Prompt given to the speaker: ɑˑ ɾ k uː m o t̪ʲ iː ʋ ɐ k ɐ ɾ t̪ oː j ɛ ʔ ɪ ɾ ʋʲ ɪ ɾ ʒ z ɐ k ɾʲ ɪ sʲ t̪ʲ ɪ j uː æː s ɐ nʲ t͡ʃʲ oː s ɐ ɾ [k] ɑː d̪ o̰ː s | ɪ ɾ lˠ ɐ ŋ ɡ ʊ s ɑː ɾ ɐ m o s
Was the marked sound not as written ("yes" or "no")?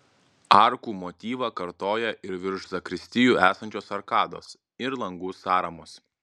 no